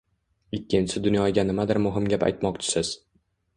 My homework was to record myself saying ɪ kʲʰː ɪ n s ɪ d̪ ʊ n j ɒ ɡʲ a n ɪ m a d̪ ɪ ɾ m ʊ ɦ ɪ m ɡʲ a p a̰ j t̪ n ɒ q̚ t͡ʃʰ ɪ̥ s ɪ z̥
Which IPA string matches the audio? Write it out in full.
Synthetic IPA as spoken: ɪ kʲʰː ɪ n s ɪ d̪ ʊ n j ɒ ɡʲ a n ɪ m a d̪ ɪ ɾ m ʊ ɦ ɪ m ɡʲ a p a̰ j t̪ m ɒ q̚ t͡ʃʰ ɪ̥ s ɪ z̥